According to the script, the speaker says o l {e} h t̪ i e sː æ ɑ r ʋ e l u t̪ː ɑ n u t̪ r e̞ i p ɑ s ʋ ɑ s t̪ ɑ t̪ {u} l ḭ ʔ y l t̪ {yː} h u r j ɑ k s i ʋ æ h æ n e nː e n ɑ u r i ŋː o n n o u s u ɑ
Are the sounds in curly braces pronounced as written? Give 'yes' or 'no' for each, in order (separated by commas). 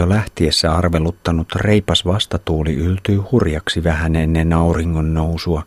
no, no, yes